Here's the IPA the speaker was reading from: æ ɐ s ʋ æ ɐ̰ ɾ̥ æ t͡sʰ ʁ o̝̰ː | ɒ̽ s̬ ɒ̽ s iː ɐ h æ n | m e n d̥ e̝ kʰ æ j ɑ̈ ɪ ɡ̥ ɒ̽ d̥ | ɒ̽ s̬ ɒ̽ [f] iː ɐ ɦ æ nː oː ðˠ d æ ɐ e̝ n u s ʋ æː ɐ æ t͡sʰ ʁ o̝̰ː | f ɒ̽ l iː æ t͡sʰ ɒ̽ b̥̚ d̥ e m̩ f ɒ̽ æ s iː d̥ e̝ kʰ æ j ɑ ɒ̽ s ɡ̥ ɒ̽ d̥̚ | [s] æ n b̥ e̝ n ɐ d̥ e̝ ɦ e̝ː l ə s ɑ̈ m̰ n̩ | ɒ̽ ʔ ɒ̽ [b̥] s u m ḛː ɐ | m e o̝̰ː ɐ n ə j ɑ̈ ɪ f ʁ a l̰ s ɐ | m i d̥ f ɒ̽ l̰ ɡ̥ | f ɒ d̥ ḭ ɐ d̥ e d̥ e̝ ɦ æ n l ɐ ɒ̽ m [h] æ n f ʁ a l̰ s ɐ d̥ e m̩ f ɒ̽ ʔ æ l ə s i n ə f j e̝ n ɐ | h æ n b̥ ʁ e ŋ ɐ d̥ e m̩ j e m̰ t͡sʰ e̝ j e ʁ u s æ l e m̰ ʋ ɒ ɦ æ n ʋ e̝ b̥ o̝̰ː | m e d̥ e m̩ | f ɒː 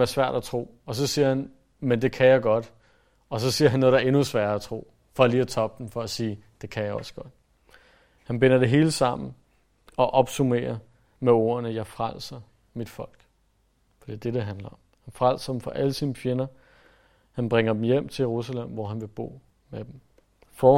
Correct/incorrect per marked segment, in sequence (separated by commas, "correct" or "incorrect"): incorrect, incorrect, correct, correct